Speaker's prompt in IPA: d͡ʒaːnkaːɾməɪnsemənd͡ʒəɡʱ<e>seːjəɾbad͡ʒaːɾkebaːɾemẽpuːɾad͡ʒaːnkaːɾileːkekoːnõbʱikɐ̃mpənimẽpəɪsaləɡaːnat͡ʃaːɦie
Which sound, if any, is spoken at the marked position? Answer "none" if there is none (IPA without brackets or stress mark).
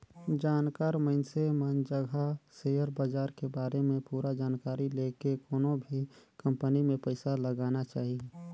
a